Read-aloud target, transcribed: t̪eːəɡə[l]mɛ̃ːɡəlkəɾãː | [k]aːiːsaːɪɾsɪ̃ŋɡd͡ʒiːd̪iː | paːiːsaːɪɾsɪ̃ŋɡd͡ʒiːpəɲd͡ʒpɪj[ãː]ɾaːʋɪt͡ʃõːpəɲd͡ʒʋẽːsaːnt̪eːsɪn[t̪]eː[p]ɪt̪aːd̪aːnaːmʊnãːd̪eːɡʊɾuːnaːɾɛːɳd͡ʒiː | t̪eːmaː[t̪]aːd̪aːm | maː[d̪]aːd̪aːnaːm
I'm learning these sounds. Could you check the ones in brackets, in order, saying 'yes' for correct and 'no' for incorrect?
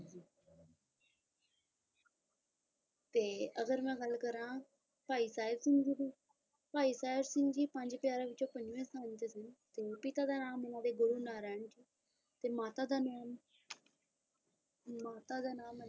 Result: no, no, no, yes, yes, yes, no

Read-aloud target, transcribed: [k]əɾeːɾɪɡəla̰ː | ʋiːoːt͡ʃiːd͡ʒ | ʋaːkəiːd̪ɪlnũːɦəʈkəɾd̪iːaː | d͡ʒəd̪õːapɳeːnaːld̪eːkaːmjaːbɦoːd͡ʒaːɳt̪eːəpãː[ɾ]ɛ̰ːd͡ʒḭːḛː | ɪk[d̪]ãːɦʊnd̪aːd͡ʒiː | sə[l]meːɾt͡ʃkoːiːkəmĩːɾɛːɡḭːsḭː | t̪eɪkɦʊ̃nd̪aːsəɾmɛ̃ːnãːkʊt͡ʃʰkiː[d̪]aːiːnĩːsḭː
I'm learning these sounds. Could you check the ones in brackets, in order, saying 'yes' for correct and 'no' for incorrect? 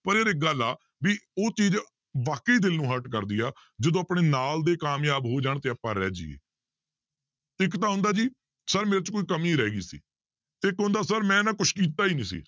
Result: no, yes, no, no, no

